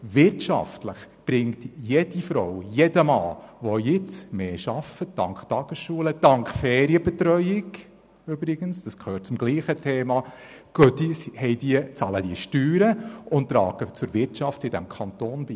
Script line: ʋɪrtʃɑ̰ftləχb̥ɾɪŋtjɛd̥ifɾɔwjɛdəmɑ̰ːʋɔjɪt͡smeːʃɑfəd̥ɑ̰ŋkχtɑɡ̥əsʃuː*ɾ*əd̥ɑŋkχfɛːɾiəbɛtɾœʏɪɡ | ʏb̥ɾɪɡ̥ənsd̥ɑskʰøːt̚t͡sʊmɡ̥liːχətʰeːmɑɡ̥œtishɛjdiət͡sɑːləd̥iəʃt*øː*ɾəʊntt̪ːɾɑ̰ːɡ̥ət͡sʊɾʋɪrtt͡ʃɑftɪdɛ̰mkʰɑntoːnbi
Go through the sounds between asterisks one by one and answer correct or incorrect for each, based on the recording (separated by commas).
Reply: incorrect, incorrect